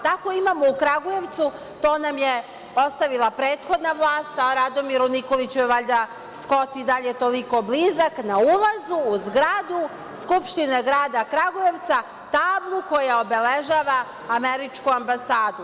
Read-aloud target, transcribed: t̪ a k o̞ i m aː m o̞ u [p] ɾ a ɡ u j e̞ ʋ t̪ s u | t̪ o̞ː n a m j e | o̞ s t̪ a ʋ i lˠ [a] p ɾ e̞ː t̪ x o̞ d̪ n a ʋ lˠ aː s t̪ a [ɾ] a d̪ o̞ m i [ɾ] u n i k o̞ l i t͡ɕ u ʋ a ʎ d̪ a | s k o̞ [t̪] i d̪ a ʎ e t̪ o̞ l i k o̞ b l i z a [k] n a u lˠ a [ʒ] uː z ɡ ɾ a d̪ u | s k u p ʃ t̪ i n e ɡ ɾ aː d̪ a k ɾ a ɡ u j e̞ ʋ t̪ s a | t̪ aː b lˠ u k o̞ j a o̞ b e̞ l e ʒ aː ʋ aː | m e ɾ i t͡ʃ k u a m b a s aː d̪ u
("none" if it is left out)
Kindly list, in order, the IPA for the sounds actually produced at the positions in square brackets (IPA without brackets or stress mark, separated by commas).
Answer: k, a, ɾ, ɾ, t̪, k, z